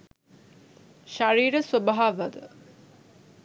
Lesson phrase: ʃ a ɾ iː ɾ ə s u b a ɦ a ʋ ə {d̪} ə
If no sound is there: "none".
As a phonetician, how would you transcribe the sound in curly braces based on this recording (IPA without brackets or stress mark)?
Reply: d̪